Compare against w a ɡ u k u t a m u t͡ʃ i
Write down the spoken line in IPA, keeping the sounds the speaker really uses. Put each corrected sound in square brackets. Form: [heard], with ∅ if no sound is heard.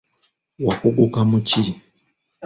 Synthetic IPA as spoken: w a [k] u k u [k] a m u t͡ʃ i

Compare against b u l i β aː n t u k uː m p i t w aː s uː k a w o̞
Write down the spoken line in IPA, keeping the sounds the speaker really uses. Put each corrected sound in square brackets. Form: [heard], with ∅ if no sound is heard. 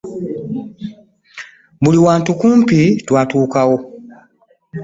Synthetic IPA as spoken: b u l i [w] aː n t u k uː m p i t w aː [t] uː k a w o̞

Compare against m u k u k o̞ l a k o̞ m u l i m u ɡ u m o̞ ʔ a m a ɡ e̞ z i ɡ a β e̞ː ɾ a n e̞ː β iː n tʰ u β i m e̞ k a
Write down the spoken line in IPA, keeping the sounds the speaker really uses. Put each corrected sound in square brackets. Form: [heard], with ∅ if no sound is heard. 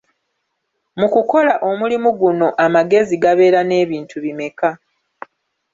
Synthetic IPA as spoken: m u k u k o̞ l a [ʔ] o̞ m u l i m u ɡ u [n] o̞ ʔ a m a ɡ e̞ z i ɡ a β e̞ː ɾ a n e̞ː β iː n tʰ u β i m e̞ k a

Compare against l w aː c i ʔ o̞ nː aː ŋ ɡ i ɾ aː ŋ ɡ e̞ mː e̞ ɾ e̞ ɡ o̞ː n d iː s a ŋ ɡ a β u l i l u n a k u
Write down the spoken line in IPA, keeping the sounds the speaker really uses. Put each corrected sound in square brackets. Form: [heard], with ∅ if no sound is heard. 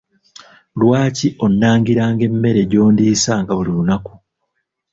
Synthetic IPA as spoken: l w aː c i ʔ o̞ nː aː ŋ ɡ i ɾ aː ŋ ɡ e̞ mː e̞ ɾ e̞ [ɟ] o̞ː n d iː s a ŋ ɡ a β u l i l u n a k u

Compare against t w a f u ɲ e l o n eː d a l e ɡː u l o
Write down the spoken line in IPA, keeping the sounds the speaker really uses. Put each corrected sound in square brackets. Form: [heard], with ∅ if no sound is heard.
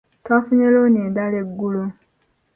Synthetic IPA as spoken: t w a f u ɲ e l o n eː d a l e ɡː u l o

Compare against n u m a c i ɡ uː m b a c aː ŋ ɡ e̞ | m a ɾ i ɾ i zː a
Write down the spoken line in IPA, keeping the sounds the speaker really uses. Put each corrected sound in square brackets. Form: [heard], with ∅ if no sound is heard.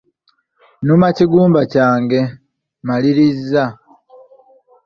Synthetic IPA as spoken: n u m a c i ɡ uː m b a c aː ŋ ɡ e̞ | m a [l] i ɾ i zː a

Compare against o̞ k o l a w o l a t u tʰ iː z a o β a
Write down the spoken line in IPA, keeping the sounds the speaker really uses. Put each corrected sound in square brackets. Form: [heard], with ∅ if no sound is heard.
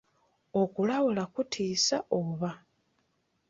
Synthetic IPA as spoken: o̞ k [u] l a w [u] l a [k] u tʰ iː [s] a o β a

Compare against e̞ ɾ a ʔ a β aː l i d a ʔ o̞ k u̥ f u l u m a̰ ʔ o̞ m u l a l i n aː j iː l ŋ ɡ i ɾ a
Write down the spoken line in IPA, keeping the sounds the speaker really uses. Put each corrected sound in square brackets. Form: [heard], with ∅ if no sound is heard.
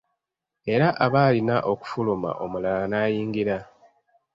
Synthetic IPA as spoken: e̞ ɾ a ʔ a β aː l i [n] a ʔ o̞ k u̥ f u l u m a̰ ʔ o̞ m u l a l [a] n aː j iː [∅] ŋ ɡ i ɾ a

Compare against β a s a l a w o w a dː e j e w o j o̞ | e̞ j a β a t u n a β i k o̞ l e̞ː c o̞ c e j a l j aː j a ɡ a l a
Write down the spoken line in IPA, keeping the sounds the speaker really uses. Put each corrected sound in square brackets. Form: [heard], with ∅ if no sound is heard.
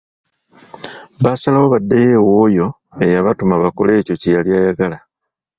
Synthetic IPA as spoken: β a s a l a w o [β] a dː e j e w o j o̞ | e̞ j a β a t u [m] a β [a] k o̞ l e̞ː c o̞ c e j a l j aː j a ɡ a l a

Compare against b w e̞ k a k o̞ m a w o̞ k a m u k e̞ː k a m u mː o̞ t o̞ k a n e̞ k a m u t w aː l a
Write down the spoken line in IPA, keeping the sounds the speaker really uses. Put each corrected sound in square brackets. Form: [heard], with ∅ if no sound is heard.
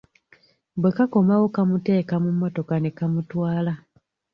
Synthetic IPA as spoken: b w e̞ k a k o̞ m a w o̞ k a m u [t] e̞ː k a m u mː o̞ t o̞ k a n e̞ k a m u t w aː l a

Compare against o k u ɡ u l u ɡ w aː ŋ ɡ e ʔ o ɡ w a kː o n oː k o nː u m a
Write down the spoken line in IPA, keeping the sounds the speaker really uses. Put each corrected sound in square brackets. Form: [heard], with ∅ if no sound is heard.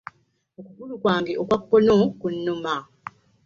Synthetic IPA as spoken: o k u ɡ u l u [k] w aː ŋ ɡ e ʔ o [k] w a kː o n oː k [u] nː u m a

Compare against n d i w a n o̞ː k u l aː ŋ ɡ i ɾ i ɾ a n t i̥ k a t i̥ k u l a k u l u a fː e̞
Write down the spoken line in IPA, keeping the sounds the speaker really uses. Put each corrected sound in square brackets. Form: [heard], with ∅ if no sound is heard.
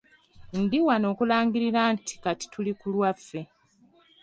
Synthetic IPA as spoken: n d i w a n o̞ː k u l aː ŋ ɡ i ɾ i ɾ a n t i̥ k a t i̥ [t] u l [i] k u l [w] a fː e̞

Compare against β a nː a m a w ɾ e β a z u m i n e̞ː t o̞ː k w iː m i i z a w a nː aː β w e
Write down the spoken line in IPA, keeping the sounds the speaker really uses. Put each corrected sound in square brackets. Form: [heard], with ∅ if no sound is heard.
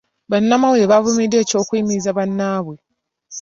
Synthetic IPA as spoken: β a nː a m a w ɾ e β a [v] u m i [d] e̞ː [c] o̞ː k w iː m i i z a [β] a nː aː β w e

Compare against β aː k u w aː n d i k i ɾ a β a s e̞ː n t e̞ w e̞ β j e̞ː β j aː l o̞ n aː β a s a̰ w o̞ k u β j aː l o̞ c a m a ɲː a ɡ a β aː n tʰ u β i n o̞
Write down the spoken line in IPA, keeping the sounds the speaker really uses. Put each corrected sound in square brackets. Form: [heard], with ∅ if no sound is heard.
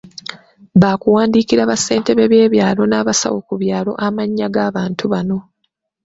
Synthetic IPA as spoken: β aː k u w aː n d i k i ɾ a β a s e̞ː n t e̞ [β] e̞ β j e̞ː β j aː l o̞ n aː β a s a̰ w o̞ k u β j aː l o̞ [ʔ] a m a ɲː a ɡ a β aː n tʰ u β [a] n o̞

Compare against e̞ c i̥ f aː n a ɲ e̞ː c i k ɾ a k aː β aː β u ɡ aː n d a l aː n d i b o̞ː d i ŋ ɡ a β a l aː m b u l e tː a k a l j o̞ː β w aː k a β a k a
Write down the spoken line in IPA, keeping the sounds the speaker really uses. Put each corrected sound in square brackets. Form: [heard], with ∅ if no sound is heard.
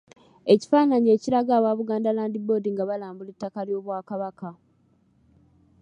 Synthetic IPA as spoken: e̞ c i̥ f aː n a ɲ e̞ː c i [∅] ɾ a [ɡ] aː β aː β u ɡ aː n d a l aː n d i b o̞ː d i ŋ ɡ a β a l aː m b u l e tː a k a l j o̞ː β w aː k a β a k a

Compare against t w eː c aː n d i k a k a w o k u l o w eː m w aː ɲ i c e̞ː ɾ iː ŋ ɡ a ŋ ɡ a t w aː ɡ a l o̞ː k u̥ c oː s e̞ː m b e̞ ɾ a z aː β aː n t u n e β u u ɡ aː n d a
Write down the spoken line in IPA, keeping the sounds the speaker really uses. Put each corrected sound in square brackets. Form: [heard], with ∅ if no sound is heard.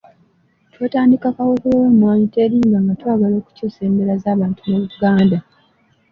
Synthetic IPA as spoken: t w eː [t] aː n d i k a k a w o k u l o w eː m w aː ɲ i [t] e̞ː ɾ iː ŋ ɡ a ŋ ɡ a t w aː ɡ a l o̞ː k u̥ c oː s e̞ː m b e̞ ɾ a z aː β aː n t u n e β u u ɡ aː n d a

